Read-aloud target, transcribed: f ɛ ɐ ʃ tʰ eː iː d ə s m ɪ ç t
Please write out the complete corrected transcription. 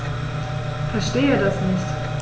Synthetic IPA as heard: f ɛ ɐ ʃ t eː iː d a s n ɪ ç t